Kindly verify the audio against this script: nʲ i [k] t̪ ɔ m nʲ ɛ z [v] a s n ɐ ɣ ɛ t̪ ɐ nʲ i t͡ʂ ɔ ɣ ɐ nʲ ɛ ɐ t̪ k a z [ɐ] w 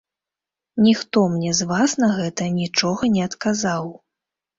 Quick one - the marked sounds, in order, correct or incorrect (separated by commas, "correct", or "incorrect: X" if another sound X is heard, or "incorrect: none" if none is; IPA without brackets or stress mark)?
incorrect: x, correct, incorrect: a